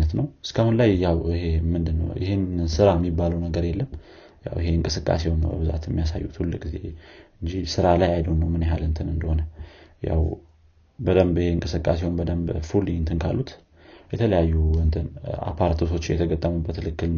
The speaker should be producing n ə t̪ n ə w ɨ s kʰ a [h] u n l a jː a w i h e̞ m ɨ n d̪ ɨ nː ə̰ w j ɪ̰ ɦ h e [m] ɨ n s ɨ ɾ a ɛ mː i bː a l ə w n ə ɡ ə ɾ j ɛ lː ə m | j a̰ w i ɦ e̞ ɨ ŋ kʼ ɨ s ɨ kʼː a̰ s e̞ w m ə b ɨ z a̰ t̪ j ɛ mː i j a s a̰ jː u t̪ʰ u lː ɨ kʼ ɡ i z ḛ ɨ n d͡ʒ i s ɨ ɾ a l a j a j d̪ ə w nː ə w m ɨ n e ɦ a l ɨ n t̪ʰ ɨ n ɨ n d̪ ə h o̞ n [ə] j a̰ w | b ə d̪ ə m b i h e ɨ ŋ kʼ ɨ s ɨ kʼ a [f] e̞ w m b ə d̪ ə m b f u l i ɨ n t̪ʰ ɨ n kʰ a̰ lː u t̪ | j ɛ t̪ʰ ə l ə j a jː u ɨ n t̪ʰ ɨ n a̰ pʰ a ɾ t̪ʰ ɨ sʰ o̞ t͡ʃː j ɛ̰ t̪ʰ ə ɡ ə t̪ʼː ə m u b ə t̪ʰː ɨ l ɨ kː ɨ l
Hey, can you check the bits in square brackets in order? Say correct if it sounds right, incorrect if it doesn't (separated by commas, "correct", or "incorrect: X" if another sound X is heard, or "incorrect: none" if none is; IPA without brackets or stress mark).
correct, incorrect: n, correct, incorrect: s